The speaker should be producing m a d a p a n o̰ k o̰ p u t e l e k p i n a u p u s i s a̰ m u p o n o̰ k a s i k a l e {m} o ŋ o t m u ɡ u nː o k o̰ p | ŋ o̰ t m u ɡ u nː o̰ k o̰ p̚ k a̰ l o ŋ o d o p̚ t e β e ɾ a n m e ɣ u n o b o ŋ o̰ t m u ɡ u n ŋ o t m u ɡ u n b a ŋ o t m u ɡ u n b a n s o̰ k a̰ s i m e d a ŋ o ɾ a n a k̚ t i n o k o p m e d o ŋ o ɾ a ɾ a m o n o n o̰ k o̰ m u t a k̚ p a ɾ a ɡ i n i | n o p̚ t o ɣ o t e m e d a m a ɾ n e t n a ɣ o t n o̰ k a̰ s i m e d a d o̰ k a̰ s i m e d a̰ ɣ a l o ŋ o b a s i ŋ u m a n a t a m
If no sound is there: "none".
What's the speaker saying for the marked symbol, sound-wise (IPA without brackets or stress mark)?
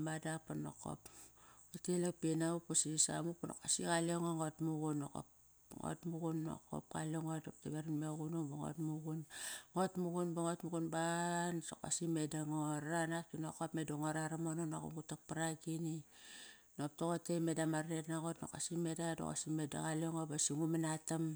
ŋ